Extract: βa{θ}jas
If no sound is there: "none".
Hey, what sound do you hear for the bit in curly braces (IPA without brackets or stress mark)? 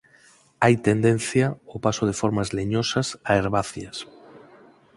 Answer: θ